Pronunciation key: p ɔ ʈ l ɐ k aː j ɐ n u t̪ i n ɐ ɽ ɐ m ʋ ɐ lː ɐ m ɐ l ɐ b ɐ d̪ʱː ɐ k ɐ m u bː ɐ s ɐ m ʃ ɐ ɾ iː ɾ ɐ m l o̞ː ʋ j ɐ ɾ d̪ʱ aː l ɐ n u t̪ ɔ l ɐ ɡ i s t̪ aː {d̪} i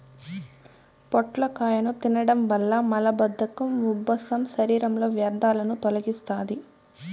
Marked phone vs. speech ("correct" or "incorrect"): correct